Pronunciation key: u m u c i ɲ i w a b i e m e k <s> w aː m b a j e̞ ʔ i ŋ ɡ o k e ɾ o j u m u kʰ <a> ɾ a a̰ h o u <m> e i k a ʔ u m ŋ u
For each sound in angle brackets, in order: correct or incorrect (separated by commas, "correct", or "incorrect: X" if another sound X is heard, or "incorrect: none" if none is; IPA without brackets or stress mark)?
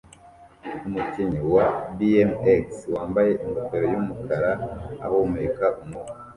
correct, correct, correct